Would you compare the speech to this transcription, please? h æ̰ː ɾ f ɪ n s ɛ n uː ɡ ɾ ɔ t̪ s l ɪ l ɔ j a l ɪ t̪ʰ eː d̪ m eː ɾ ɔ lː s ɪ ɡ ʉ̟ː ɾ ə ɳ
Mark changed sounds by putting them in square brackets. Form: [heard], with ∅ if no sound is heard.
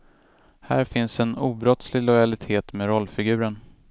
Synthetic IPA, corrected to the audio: h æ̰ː ɾ f ɪ n s ɛ n uː [b] ɾ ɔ t̪ s l ɪ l ɔ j a l ɪ t̪ʰ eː [t̪] m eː ɾ ɔ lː [f] ɪ ɡ ʉ̟ː ɾ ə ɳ